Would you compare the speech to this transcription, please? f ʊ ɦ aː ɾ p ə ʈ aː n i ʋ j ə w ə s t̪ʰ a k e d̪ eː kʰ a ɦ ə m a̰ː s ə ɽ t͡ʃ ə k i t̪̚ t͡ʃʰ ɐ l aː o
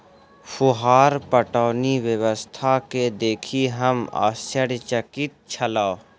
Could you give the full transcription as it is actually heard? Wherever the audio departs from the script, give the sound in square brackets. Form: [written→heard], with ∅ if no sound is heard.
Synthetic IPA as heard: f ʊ ɦ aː ɾ p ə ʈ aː n i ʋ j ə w ə s t̪ʰ a k e d̪ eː kʰ [a→i] ɦ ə m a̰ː s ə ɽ t͡ʃ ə k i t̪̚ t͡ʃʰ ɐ l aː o